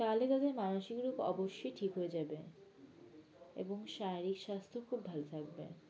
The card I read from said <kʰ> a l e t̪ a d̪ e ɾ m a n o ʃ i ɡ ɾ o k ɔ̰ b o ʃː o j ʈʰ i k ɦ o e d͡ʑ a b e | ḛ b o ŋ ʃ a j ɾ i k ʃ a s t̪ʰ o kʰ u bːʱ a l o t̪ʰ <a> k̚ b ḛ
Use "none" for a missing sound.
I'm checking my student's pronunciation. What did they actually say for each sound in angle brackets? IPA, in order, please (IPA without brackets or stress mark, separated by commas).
k, a